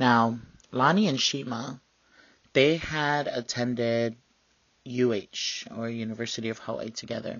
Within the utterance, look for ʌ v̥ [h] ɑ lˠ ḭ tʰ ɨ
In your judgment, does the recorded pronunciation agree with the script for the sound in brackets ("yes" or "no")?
yes